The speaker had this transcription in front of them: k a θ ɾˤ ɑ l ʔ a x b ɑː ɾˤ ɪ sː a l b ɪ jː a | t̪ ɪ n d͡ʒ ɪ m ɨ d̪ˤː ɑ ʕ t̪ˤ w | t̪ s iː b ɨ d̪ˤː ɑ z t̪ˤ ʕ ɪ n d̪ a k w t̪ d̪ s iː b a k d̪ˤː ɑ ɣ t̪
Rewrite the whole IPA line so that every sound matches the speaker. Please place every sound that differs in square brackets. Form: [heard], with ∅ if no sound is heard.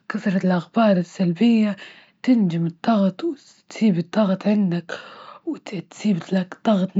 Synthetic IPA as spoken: k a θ ɾˤ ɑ l ʔ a x b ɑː ɾˤ ɪ sː a l b ɪ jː a | t̪ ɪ n d͡ʒ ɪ m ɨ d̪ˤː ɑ [ɣ] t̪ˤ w | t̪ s iː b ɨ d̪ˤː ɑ [ɣ] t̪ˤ ʕ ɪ n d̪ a k w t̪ [t̪] s iː b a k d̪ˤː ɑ ɣ t̪